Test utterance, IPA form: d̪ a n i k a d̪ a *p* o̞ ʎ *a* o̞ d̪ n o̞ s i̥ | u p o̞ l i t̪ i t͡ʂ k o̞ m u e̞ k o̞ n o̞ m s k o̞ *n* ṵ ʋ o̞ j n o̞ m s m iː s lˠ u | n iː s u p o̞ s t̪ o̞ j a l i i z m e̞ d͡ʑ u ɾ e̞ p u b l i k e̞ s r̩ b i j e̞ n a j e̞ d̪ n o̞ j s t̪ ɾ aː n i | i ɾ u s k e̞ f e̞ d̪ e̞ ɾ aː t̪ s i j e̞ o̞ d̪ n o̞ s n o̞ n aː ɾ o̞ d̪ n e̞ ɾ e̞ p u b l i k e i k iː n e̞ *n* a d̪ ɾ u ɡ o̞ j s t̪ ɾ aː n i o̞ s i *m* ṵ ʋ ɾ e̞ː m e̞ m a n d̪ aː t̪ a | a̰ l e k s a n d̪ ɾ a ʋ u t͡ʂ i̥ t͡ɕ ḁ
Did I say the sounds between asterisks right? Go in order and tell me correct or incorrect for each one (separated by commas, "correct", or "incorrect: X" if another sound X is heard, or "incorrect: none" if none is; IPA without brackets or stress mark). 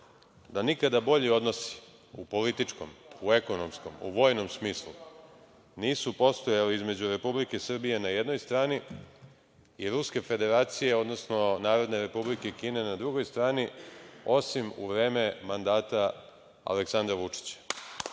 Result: incorrect: b, incorrect: i, incorrect: m, correct, correct